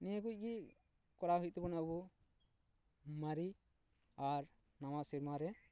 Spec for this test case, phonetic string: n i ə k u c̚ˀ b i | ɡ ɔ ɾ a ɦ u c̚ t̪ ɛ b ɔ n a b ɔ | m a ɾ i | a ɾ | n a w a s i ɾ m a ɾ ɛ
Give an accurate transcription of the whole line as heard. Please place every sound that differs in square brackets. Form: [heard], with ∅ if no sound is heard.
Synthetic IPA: n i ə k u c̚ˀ [ɡ] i | [k] ɔ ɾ a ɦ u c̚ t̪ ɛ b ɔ n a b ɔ | m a ɾ i | a ɾ | n a w a s i ɾ m a ɾ ɛ